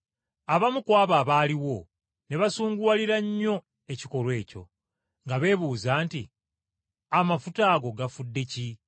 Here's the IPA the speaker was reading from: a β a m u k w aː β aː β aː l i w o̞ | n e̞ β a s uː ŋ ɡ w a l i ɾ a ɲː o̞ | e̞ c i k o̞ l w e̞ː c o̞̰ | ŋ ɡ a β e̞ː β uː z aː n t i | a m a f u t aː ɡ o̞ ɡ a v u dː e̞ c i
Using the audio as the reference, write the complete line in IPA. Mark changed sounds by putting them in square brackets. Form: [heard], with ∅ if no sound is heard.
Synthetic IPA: a β a m u k w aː β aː β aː l i w o̞ | n e̞ β a s uː ŋ ɡ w a l i ɾ a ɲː o̞ | e̞ c i k o̞ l w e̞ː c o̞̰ | ŋ ɡ a β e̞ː β uː z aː n t i | a m a f u t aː ɡ o̞ ɡ a [f] u dː e̞ c i